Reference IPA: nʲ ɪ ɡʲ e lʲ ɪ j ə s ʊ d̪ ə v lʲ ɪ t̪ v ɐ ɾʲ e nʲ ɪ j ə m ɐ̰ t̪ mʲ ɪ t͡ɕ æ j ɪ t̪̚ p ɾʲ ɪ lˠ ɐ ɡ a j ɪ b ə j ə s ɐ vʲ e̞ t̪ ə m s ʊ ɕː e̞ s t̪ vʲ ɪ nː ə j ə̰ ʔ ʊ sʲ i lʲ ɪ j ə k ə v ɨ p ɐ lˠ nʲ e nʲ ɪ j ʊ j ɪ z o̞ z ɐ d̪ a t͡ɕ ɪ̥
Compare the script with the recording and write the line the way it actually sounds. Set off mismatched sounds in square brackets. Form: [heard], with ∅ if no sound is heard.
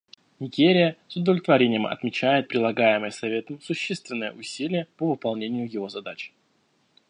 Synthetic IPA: nʲ ɪ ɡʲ e [ɾʲ] ɪ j ə s ʊ d̪ ə v lʲ ɪ t̪ v ɐ ɾʲ e nʲ ɪ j ə m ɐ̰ t̪ mʲ ɪ t͡ɕ æ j ɪ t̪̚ p ɾʲ ɪ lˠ ɐ ɡ a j ɪ [m] ə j ə s ɐ vʲ e̞ t̪ ə m s ʊ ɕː e̞ s t̪ vʲ ɪ nː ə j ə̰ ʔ ʊ sʲ i lʲ ɪ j ə [p] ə v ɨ p ɐ lˠ nʲ e nʲ ɪ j ʊ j ɪ [v] o̞ z ɐ d̪ a t͡ɕ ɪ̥